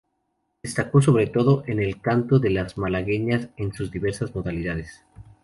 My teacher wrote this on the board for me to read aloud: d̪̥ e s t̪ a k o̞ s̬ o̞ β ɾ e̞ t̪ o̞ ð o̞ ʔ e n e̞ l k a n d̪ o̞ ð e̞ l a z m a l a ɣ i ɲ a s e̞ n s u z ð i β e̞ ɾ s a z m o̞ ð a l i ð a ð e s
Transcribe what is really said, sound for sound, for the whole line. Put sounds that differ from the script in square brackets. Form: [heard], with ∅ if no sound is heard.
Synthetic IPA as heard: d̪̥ e s t̪ a k o̞ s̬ o̞ β ɾ e̞ t̪ o̞ ð o̞ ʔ e n e̞ l k a n [t̪] o̞ ð e̞ l a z m a l a ɣ [e] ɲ a s e̞ n s u z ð i β e̞ ɾ s a z m o̞ ð a l i ð a ð e s